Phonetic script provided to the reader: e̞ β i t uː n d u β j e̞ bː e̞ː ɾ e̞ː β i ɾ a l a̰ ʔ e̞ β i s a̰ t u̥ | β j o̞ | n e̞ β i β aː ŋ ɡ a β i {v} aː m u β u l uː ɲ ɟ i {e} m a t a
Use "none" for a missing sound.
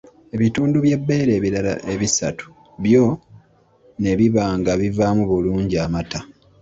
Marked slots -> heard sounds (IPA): v, a

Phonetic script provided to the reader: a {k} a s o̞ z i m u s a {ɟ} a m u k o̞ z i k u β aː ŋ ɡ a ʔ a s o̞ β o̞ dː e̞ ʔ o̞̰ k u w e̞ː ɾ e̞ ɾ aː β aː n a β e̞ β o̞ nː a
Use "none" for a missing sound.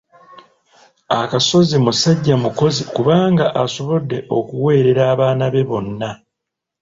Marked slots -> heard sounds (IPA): k, ɟː

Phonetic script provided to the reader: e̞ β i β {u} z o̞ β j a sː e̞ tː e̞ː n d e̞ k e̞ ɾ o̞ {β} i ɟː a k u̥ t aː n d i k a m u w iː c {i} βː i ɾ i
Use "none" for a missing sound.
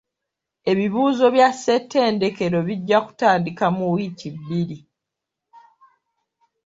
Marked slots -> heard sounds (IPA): uː, β, i

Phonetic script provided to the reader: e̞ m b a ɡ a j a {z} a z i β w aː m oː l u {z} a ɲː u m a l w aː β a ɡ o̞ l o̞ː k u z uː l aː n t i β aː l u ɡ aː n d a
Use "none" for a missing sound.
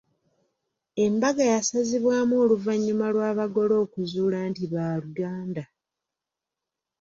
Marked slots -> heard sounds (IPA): s, v

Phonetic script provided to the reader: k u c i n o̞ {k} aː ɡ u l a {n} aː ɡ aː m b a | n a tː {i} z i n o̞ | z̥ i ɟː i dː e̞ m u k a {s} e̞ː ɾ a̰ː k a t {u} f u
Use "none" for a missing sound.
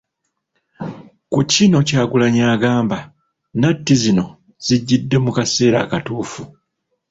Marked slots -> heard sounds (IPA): c, ɲ, i, s, uː

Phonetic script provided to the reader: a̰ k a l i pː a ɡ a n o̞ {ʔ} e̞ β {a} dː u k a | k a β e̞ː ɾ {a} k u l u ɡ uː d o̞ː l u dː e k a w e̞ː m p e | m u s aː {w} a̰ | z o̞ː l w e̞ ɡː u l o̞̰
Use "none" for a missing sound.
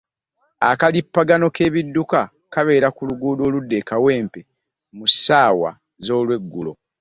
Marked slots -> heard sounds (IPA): k, i, a, w

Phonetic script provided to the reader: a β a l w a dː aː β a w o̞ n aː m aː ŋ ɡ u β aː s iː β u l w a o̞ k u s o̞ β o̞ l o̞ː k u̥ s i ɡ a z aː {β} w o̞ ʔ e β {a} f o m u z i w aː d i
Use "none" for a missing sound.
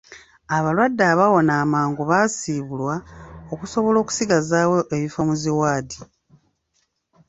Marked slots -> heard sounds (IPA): none, i

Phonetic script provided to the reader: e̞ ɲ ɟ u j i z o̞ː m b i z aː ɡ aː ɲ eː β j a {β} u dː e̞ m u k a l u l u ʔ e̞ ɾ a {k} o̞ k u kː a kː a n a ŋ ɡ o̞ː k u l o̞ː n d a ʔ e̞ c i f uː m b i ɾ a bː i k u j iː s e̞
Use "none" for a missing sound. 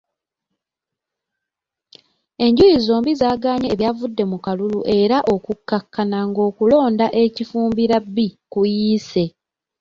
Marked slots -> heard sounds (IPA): v, ʔ

